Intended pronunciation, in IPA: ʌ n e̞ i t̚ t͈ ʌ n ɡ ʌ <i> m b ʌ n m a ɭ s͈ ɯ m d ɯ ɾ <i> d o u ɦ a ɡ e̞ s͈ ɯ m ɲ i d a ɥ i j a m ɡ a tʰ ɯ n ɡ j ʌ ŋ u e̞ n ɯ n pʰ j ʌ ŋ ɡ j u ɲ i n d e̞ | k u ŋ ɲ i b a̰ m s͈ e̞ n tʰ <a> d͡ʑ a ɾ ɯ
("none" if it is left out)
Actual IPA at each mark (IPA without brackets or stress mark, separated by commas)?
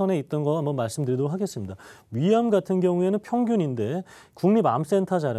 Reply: a, i, a